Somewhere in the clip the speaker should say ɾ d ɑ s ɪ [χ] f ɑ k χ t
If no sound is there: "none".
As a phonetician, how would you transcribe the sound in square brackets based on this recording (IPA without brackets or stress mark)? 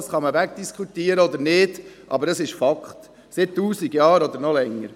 ʃ